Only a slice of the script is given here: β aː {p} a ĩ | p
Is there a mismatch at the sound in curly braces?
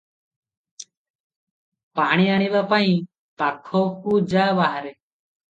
no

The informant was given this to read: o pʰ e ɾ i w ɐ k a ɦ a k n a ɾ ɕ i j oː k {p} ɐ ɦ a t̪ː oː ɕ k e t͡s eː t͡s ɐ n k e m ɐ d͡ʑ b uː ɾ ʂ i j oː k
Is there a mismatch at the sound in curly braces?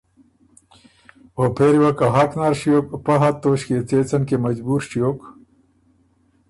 no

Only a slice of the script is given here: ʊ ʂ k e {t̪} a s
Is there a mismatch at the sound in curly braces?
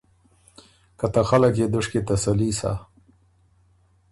no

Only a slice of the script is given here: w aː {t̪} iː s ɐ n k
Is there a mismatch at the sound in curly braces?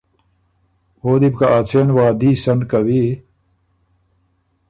yes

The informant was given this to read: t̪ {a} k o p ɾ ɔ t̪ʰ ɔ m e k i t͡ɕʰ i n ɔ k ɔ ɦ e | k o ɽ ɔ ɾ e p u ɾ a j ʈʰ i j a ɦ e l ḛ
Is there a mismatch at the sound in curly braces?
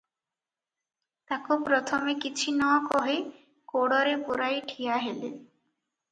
no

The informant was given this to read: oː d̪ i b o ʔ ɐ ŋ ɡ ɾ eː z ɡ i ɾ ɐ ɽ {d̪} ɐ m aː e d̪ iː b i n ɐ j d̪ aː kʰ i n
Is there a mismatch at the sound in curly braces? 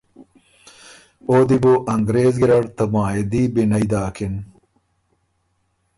yes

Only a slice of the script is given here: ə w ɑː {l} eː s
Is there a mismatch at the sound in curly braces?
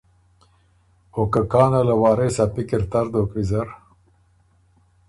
yes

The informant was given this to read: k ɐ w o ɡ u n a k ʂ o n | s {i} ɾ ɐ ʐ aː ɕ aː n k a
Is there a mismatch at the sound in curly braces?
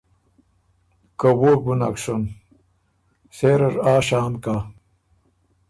yes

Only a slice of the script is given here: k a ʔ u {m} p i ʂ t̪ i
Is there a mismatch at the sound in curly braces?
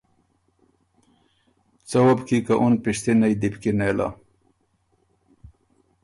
yes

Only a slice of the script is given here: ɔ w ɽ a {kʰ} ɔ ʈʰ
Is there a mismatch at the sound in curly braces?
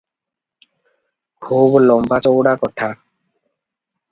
yes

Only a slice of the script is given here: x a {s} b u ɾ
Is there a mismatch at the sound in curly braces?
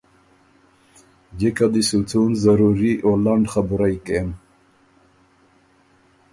yes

